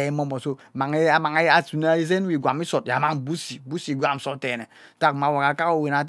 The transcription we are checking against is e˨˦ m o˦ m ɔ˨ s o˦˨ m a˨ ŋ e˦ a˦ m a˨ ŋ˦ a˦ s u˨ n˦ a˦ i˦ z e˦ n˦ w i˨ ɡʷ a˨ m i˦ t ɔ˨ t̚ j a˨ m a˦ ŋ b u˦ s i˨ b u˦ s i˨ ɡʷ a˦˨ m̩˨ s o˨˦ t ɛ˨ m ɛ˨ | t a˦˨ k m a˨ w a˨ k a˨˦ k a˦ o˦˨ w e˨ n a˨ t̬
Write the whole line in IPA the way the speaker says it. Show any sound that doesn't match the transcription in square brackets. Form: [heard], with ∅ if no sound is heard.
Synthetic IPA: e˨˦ m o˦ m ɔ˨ s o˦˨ m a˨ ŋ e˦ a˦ m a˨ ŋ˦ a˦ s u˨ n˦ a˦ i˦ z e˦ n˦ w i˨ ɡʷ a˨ m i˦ [s] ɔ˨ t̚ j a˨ m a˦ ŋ b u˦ s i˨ b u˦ s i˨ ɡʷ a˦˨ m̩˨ s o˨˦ t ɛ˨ [n] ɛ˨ | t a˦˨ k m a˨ w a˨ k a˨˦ k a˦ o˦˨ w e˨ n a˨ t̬